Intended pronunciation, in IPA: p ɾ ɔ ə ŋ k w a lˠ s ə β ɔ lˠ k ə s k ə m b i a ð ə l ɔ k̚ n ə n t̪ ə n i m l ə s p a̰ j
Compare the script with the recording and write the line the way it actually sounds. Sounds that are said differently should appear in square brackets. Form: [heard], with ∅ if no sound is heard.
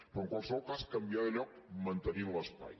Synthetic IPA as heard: p ɾ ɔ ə ŋ k w a lˠ s ə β ɔ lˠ k [a] s k ə m b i a ð ə [ʎ] ɔ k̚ [m] ə n t̪ ə n i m l ə s p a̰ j